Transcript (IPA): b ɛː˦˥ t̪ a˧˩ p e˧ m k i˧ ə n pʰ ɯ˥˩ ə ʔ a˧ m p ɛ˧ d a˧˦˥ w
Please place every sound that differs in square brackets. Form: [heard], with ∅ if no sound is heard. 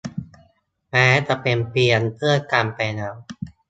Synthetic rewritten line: [m] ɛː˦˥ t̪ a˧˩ p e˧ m [p] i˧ ə n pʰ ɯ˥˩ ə [k] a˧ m p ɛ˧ [n] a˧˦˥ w